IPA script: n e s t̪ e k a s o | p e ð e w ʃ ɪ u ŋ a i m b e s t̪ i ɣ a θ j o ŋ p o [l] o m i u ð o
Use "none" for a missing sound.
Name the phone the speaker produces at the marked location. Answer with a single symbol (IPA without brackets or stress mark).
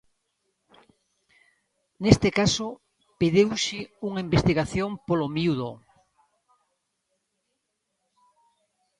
l